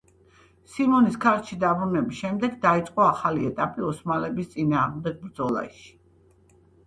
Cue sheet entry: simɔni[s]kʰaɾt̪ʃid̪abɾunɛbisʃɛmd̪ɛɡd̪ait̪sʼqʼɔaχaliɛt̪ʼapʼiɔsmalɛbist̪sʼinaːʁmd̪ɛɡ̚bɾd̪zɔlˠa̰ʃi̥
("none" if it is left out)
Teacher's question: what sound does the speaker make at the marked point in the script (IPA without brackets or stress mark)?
s